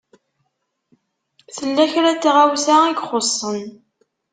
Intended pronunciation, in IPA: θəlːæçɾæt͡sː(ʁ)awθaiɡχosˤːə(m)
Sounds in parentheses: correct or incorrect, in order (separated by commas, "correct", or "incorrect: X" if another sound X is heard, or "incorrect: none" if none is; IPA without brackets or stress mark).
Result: correct, incorrect: n